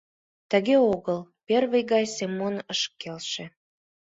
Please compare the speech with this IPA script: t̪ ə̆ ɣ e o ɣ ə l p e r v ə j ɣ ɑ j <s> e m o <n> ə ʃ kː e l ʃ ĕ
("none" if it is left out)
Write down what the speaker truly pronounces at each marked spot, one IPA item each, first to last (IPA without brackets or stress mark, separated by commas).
s, n